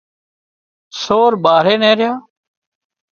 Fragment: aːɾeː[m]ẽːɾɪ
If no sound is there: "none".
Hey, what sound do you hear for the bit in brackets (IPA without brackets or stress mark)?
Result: n